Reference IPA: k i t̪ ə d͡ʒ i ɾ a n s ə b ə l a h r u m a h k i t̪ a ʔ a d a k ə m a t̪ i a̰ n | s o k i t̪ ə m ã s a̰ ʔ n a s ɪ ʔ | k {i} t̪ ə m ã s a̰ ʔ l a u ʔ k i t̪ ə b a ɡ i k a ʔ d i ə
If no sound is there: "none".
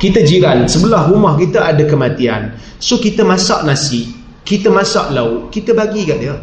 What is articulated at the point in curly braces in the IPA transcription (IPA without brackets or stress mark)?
i